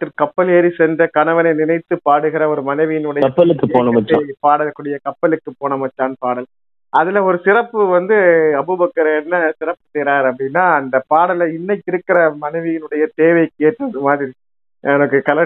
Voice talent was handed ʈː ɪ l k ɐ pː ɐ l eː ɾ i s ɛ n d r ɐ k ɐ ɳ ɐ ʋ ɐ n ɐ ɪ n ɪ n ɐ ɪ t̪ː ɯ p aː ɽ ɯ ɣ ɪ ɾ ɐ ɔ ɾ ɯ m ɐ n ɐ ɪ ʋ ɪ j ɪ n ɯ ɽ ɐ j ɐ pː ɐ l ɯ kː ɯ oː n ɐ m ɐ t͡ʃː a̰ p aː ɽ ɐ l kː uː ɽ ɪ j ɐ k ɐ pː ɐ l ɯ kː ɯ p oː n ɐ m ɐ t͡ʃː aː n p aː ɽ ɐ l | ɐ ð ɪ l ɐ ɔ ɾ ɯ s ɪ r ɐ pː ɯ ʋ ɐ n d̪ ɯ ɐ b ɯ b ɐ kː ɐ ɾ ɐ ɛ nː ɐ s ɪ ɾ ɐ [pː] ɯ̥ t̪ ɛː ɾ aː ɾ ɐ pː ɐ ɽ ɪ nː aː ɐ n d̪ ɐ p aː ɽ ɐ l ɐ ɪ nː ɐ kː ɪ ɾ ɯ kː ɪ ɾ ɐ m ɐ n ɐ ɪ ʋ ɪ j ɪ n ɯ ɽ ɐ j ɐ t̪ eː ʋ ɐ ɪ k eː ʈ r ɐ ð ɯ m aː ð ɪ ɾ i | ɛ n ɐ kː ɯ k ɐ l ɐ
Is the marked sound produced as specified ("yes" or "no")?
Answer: yes